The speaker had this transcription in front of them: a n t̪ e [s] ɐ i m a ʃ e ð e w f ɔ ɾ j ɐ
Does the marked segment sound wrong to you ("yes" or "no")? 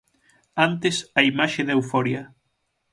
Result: no